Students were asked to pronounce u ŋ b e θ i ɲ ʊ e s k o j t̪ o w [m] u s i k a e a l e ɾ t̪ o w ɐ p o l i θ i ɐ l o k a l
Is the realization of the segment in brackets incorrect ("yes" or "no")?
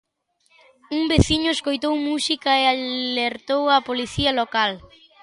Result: no